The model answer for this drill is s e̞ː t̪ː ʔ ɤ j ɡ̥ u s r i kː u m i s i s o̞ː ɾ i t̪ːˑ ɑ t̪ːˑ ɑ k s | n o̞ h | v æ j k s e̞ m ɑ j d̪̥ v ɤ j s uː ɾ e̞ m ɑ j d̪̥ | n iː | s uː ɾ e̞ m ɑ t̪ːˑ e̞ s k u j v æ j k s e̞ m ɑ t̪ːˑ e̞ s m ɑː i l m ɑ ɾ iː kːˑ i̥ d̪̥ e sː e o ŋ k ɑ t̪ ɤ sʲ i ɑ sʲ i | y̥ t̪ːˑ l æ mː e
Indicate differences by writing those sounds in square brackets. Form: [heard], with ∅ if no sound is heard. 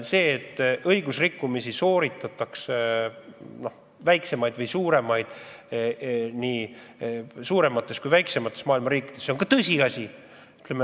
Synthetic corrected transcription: s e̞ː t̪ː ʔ ɤ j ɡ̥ u s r i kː u m i s i s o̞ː ɾ i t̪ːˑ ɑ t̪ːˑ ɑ k s | n o̞ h | v æ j k s e̞ m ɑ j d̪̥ v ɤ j s uː ɾ e̞ m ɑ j d̪̥ | n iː | s uː ɾ e̞ m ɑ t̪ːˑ e̞ s k u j v æ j k s e̞ m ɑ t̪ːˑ e̞ s m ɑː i l m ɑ ɾ iː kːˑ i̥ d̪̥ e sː e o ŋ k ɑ t̪ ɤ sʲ i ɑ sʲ i | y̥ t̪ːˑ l [e] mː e

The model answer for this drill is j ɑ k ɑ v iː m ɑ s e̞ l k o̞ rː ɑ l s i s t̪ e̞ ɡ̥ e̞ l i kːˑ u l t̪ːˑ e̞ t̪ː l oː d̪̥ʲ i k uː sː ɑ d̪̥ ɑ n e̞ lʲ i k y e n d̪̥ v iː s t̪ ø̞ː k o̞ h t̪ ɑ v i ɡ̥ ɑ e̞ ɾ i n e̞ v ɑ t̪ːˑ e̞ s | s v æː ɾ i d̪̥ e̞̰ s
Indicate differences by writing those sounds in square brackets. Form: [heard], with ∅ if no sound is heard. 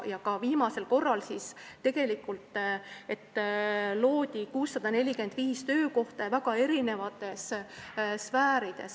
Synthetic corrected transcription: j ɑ k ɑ v iː m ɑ s e̞ l k o̞ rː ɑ l s i s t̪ e̞ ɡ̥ e̞ l i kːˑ u l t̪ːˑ e̞ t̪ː l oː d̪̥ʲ i k uː sː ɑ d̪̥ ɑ n e̞ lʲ i k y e n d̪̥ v iː s t̪ ø̞ː k o̞ h t̪ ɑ v [æ] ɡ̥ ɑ e̞ ɾ i n e̞ v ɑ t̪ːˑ e̞ s | s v æː ɾ i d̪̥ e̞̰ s

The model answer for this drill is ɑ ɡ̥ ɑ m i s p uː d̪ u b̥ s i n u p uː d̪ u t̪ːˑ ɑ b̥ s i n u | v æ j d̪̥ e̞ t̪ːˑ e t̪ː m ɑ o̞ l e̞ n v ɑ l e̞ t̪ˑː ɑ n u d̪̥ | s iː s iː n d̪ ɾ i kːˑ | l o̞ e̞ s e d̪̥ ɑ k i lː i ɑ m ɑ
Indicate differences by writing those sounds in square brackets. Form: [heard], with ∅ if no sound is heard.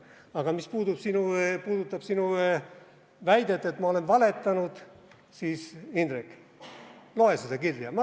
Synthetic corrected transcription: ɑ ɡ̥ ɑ m i s p uː d̪ u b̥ s i n u p uː d̪ u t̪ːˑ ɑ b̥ s i n u | v æ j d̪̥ e̞ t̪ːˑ e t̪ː m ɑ o̞ l e̞ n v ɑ l e̞ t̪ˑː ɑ n u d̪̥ | s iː s [i] n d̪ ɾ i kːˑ | l o̞ e̞ s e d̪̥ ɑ k i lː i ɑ m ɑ

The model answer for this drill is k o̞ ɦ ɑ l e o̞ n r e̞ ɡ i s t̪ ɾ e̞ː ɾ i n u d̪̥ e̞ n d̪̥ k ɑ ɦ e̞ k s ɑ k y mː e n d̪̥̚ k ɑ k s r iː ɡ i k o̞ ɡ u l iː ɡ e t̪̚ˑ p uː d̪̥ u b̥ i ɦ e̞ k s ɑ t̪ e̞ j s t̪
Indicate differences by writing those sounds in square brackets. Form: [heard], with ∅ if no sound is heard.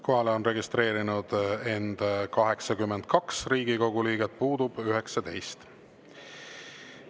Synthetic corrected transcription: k o̞ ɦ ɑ l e o̞ n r e̞ ɡ i s t̪ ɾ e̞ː ɾ i n u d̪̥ e̞ n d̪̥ k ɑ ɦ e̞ k s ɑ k y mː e n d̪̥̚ k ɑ k s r iː ɡ i k o̞ ɡ u l iː ɡ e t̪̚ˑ p uː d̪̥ u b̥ [y] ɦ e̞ k s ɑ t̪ e̞ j s t̪

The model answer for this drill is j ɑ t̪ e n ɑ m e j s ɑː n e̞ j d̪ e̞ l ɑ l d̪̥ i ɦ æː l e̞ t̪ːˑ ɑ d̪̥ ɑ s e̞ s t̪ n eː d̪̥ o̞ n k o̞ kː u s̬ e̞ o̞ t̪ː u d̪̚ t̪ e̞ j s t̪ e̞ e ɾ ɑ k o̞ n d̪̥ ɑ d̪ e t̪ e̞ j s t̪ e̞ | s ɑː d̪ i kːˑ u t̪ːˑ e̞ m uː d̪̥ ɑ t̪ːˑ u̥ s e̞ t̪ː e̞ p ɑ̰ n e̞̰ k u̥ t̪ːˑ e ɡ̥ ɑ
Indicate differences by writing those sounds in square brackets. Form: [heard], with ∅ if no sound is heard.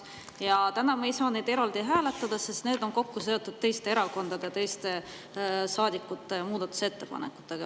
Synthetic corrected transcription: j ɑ t̪ [æ] n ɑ m e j s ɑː n e̞ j d̪ e̞ [ɾ] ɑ l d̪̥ i ɦ æː l e̞ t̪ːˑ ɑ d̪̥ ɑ s e̞ s t̪ n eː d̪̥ o̞ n k o̞ kː u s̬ e̞ o̞ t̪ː u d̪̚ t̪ e̞ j s t̪ e̞ e ɾ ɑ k o̞ n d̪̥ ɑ d̪ e t̪ e̞ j s t̪ e̞ | s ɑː d̪ i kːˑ u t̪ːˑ e̞ m uː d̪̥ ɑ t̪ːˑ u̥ s e̞ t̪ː e̞ p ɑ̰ n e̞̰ k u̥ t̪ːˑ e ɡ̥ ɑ

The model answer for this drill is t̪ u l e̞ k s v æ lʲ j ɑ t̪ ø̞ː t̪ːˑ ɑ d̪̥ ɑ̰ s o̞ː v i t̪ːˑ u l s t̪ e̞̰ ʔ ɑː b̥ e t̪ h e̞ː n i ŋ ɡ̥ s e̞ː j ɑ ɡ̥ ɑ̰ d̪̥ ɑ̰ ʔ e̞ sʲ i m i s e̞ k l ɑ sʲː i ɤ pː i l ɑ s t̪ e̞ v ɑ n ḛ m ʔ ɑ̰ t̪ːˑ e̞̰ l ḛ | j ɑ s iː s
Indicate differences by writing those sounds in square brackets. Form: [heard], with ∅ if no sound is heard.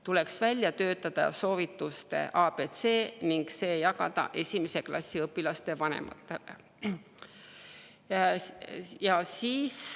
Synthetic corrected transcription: t̪ u l e̞ k s v æ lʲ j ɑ t̪ ø̞ː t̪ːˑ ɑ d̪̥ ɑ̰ s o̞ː v i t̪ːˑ u [∅] s t̪ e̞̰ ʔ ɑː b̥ e t̪ [s] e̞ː n i ŋ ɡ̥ s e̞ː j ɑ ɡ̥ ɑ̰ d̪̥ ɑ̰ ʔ e̞ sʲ i m [e] s e̞ k l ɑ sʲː i ɤ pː i l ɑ s t̪ e̞ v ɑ n ḛ m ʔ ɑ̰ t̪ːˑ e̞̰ l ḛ | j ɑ s iː s

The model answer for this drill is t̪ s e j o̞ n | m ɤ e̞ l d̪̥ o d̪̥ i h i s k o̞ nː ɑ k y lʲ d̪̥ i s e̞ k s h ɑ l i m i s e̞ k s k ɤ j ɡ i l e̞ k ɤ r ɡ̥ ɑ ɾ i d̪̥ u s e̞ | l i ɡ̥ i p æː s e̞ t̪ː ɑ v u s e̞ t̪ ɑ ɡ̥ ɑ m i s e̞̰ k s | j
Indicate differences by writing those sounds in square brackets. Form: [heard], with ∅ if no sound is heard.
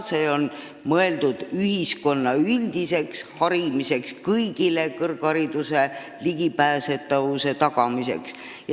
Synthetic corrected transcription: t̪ s e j o̞ n | m ɤ e̞ l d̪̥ [u] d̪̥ [y] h i s k o̞ nː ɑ [∅] y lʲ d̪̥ i s e̞ k s h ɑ [ɾ] i m i s e̞ k s k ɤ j ɡ i l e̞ k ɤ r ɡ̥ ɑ ɾ i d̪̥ u s e̞ | l i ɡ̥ i p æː s e̞ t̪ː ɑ v u s e̞ t̪ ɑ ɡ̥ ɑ m i s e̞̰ k s | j

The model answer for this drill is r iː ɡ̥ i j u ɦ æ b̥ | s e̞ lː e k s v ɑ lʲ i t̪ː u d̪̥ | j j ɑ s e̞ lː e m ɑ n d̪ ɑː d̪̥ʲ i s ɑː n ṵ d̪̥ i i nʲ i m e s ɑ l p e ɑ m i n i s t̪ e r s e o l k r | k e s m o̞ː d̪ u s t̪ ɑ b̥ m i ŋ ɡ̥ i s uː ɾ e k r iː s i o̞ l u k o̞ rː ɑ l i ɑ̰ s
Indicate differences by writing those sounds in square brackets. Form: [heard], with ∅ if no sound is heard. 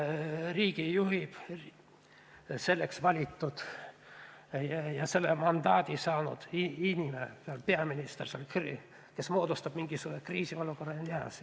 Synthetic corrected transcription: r iː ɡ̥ i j u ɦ [i] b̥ | s e̞ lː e k s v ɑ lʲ i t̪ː u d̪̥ | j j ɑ s e̞ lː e m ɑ n d̪ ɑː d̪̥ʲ i s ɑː n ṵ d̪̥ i i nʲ i m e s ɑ l p e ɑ m i n i s t̪ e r s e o l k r | k e s m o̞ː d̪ u s t̪ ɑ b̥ m i ŋ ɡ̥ i s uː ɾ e k r iː s i o̞ l u k o̞ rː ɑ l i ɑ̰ s

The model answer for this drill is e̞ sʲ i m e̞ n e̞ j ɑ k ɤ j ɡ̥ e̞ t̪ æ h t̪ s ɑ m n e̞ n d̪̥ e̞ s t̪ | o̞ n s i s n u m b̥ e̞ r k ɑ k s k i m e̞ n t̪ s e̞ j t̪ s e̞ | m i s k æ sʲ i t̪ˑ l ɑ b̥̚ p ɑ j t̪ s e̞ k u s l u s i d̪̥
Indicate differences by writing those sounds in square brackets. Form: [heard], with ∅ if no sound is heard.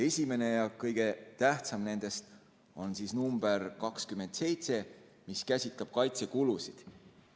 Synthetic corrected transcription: e̞ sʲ i m e̞ n e̞ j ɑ k ɤ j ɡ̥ e̞ t̪ æ h t̪ s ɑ m n e̞ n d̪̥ e̞ s t̪ | o̞ n s i s n u m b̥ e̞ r k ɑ k s k [y] m e̞ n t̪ s e̞ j t̪ s e̞ | m i s k æ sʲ i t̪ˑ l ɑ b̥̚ [k] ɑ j t̪ s e̞ k u [∅] l u s i d̪̥

